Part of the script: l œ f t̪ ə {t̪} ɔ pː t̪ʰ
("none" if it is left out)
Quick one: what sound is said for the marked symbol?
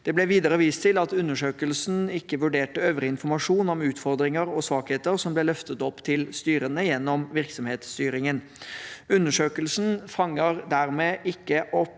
t̪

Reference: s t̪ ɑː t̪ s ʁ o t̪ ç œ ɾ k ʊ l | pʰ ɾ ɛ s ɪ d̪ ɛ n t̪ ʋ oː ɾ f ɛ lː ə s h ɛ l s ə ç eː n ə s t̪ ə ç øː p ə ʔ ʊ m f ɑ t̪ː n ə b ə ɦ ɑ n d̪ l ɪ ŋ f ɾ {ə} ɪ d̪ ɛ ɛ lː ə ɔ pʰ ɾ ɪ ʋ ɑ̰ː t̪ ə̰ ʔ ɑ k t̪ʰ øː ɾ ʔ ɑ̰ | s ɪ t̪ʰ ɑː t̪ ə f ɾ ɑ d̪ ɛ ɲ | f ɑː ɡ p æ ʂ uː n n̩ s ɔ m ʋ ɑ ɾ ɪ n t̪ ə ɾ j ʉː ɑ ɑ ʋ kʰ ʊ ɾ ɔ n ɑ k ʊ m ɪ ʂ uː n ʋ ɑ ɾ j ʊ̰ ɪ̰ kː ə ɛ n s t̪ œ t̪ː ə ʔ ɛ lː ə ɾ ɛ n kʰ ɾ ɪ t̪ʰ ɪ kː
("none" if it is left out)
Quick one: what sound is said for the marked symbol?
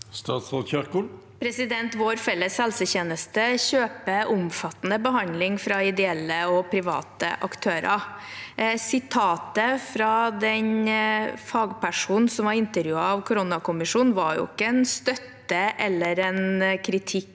ɑ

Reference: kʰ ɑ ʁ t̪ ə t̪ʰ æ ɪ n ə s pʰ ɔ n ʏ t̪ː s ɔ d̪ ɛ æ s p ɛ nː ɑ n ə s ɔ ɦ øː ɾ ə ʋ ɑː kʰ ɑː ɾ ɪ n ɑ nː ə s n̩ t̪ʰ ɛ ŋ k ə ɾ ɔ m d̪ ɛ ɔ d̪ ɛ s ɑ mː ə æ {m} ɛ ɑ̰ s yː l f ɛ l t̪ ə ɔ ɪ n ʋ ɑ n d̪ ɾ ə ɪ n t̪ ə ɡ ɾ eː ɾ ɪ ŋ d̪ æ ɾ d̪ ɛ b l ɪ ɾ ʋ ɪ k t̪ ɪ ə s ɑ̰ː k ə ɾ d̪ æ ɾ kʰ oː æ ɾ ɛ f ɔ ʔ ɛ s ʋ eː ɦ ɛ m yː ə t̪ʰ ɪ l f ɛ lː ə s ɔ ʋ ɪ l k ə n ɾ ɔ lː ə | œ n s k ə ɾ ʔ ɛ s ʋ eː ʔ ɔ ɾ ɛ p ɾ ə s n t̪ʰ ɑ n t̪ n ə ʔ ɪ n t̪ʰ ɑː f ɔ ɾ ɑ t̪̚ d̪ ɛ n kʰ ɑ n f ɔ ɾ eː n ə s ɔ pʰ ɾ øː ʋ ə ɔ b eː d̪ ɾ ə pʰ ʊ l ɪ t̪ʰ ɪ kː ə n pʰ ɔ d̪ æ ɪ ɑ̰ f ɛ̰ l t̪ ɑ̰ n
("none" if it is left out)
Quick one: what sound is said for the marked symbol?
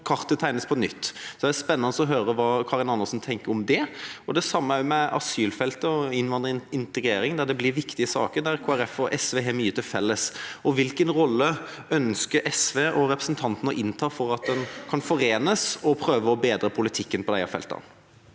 m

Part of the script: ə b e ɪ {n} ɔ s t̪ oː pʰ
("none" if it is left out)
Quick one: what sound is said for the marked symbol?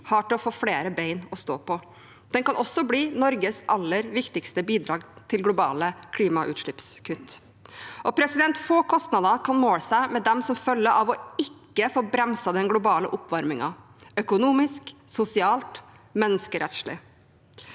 n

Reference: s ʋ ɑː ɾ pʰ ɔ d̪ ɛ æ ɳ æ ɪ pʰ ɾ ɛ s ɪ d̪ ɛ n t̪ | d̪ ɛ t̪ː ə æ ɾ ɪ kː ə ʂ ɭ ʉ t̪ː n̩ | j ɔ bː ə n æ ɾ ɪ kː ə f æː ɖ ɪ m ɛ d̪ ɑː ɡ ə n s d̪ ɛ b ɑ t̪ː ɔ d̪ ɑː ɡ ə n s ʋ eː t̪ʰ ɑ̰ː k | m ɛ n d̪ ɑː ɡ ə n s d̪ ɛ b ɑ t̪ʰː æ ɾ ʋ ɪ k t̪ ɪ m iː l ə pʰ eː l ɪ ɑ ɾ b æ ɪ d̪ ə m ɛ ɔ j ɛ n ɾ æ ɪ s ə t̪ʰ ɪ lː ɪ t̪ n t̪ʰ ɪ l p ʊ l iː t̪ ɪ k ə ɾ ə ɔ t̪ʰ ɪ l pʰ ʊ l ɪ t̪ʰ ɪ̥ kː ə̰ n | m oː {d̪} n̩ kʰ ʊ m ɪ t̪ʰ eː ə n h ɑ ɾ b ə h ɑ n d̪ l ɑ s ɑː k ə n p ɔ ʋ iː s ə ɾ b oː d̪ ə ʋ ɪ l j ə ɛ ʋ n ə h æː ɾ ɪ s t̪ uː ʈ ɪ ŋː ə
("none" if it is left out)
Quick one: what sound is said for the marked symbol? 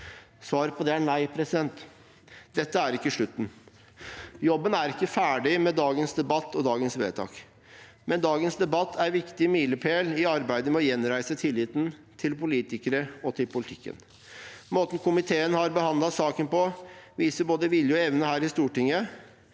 t̪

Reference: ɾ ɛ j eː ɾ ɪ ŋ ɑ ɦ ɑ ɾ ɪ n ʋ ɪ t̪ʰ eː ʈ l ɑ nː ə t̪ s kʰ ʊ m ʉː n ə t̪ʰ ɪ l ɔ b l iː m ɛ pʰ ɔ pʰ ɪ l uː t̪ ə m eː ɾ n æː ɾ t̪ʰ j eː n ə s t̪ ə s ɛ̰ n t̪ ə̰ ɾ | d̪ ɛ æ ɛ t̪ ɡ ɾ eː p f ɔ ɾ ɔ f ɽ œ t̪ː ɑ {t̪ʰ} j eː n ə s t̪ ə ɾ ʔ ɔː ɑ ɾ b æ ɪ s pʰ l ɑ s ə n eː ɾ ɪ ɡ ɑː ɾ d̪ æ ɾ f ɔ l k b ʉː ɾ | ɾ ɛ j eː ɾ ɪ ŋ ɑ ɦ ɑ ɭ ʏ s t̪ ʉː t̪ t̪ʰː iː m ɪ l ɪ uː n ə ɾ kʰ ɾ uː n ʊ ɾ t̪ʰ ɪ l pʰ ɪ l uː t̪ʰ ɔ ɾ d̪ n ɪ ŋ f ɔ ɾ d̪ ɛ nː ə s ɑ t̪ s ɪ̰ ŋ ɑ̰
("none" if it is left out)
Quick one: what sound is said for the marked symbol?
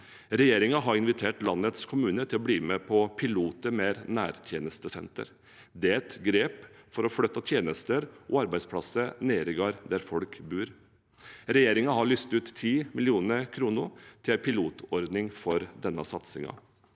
t̪ʰ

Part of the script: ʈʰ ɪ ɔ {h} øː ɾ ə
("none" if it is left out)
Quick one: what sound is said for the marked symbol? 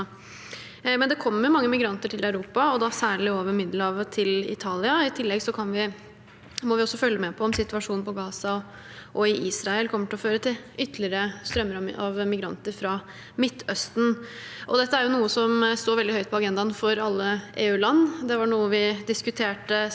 f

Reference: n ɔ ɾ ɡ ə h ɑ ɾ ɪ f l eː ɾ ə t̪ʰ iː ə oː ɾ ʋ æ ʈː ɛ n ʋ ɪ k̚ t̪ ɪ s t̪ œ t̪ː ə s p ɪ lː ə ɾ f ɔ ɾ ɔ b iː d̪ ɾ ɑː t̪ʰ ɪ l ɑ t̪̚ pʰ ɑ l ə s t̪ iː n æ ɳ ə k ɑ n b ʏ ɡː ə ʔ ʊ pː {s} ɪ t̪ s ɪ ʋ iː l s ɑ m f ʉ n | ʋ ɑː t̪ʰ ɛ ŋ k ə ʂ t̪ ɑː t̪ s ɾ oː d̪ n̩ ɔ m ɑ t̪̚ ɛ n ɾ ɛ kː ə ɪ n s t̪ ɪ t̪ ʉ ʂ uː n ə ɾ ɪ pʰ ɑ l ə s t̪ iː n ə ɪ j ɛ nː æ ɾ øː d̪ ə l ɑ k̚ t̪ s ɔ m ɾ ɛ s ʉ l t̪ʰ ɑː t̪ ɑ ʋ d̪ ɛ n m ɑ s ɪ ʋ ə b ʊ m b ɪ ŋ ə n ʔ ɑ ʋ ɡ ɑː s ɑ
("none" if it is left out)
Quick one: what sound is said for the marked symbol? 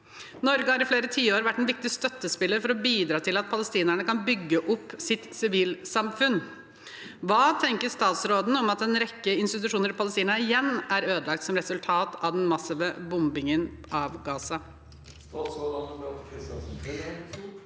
s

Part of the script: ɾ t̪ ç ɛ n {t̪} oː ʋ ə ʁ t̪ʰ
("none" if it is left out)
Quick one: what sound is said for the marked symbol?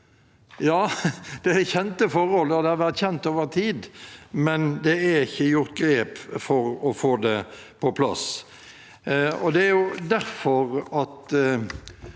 t̪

